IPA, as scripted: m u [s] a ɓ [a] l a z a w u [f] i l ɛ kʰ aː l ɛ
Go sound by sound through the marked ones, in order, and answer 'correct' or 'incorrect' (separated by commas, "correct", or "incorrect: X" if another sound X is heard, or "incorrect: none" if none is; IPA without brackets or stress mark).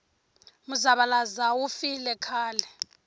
incorrect: z, correct, correct